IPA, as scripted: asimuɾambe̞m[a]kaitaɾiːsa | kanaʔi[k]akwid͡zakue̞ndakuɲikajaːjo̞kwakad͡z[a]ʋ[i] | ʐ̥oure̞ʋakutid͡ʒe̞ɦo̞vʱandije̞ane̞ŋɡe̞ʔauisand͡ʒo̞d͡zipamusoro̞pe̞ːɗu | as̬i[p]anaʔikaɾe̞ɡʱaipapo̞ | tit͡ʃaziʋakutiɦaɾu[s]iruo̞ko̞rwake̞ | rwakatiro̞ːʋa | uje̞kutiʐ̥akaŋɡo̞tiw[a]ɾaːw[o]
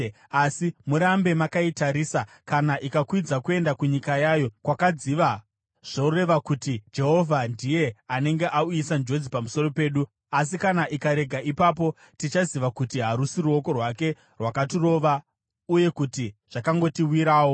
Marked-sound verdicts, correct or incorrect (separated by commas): correct, correct, incorrect, incorrect, incorrect, correct, incorrect, correct